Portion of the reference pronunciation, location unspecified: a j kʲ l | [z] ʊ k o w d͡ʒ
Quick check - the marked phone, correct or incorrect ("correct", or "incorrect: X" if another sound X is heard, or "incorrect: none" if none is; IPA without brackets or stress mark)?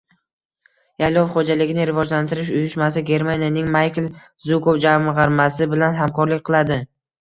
correct